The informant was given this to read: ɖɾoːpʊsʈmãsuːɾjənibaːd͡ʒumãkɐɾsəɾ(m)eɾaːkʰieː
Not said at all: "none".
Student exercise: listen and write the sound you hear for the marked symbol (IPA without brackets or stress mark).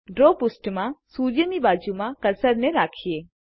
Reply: n